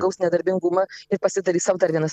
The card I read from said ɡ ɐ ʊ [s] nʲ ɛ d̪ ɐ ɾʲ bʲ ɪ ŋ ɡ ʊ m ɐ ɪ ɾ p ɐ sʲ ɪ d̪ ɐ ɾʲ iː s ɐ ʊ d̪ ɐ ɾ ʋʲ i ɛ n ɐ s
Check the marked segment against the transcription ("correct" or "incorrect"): correct